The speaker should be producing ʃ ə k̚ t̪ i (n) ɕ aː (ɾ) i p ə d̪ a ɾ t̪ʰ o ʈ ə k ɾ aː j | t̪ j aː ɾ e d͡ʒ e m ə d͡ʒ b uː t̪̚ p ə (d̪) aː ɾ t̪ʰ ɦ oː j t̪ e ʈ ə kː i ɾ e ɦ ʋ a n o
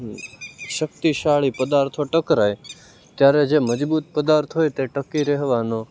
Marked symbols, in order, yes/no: no, no, yes

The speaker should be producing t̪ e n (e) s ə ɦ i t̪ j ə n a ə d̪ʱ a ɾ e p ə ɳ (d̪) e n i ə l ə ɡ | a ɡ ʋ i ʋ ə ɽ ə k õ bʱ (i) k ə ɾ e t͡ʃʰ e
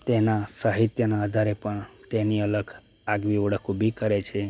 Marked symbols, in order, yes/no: no, no, yes

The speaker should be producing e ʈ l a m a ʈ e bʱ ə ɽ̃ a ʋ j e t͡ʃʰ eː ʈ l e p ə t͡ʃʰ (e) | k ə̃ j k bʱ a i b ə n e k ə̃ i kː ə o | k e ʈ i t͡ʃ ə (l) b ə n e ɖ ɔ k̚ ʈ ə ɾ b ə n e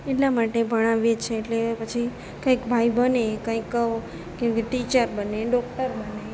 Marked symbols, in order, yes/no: no, no

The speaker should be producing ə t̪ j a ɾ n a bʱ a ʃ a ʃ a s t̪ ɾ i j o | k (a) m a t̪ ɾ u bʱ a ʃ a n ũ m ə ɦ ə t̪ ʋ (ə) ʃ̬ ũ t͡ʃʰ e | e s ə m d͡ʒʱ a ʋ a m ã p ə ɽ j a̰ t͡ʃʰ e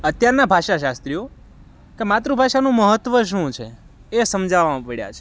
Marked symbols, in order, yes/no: no, yes

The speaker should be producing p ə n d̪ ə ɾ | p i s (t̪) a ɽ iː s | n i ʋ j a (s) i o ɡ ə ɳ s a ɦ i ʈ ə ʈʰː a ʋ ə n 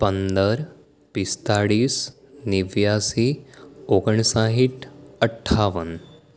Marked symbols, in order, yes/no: yes, yes

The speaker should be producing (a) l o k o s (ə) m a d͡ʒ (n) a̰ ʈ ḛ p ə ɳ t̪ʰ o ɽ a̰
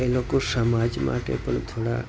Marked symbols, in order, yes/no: no, yes, no

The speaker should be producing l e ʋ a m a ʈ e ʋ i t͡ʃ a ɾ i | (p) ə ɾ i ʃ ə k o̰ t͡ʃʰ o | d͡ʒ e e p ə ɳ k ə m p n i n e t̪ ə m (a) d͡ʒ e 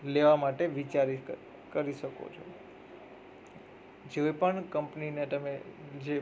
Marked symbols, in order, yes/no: no, no

